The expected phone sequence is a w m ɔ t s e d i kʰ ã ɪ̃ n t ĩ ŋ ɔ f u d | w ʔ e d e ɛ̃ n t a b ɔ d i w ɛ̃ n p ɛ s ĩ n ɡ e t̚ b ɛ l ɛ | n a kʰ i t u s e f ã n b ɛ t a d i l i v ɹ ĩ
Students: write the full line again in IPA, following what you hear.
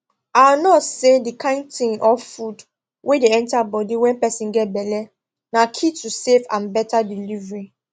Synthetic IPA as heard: a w n ɔ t s e d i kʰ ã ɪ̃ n t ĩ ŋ ɔ f u d | w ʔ e d e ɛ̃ n t a b ɔ d i w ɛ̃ n p ɛ s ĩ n ɡ ɛ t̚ b ɛ l ɛ | n a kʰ i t u s e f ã n b ɛ t a d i l i v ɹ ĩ